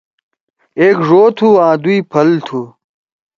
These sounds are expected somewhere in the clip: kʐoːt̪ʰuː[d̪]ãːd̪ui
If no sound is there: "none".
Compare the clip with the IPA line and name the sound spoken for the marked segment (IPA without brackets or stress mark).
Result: none